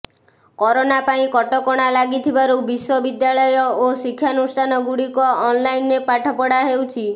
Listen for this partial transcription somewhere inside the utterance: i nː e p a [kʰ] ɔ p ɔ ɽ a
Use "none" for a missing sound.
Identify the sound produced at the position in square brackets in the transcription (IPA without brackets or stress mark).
ʈʰ